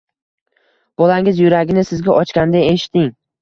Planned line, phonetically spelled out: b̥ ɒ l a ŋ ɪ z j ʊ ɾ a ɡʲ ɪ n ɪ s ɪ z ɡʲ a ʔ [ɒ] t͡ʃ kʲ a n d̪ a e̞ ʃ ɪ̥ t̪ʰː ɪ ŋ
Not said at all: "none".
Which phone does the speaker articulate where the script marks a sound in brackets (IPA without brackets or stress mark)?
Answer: ɒ